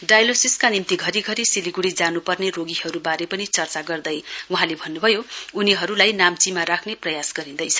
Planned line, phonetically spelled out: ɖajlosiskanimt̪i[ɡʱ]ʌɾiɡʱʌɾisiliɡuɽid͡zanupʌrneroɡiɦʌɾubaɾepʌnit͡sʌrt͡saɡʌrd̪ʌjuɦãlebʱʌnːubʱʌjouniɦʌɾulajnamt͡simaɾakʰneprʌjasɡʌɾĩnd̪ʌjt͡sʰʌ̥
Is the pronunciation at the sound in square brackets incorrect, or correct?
correct